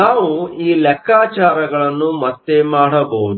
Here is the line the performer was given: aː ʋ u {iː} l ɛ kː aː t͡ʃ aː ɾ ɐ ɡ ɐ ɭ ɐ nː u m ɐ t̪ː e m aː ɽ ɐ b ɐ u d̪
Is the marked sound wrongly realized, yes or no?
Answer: no